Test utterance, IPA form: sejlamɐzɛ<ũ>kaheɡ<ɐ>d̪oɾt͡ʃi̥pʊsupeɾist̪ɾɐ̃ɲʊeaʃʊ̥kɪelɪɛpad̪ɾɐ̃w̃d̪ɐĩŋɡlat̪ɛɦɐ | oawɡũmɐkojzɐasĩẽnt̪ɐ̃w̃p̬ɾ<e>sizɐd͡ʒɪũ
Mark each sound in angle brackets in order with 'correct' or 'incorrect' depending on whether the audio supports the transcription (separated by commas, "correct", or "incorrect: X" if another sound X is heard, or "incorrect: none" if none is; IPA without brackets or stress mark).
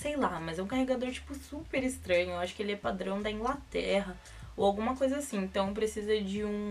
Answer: correct, incorrect: a, correct